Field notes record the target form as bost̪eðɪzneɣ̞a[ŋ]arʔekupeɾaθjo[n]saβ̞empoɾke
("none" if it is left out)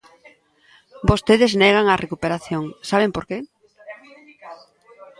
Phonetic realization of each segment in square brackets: ŋ, ŋ

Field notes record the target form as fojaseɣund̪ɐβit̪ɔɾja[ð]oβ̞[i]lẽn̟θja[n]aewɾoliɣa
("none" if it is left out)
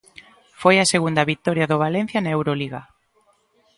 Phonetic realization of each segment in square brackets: ð, a, n

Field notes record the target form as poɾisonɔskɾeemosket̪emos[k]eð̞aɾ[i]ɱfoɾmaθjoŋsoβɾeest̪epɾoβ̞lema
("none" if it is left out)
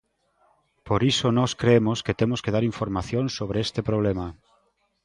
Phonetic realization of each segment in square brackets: k, i

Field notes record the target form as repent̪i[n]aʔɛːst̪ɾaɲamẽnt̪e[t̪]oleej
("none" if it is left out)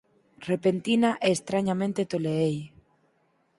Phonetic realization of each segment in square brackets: n, t̪

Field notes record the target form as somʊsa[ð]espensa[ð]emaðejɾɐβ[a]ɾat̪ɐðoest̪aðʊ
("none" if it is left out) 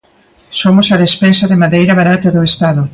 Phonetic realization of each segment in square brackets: ð, ð, a

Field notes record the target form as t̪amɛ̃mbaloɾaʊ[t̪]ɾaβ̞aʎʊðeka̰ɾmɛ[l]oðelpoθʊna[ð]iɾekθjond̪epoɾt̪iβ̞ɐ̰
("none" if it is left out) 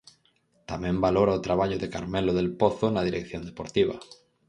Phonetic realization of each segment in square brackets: t̪, l, ð

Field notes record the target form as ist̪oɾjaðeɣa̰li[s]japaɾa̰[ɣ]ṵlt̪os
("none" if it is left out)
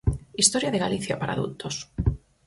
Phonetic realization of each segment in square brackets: θ, ð

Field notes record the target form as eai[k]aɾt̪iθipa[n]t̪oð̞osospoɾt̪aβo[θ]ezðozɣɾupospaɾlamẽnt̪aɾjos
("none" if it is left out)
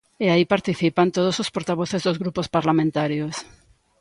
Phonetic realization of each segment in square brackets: p, n, θ

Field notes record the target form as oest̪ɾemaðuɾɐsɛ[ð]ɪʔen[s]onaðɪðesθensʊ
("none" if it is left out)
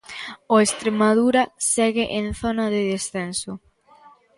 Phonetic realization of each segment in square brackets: ɣ, θ

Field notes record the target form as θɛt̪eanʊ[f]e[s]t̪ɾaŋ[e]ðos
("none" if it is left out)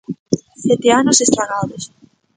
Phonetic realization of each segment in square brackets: s, s, a

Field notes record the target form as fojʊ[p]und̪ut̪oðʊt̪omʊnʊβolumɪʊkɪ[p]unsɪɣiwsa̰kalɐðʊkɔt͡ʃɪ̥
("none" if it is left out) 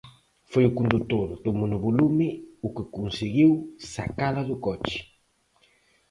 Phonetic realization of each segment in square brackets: k, k

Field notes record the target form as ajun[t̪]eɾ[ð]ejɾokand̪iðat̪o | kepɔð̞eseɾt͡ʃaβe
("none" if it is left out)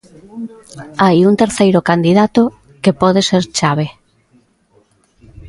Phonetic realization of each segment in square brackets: t̪, θ

